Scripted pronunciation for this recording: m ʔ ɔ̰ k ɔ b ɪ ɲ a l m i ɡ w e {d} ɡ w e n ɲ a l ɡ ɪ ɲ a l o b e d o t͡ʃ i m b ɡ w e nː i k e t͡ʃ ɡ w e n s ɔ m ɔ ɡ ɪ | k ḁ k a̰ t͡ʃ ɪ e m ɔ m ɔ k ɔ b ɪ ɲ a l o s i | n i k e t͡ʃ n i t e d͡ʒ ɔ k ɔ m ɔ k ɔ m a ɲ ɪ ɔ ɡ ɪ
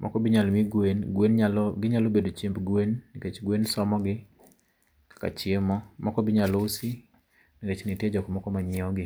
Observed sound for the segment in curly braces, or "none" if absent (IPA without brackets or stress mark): n